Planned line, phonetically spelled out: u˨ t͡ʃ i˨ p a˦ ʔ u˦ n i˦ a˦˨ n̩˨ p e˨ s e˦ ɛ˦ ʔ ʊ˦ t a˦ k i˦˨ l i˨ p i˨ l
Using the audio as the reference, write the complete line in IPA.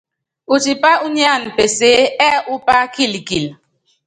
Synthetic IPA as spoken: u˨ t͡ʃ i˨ p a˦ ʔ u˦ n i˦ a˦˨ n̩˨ p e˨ s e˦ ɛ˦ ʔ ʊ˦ p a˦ k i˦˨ l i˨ k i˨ l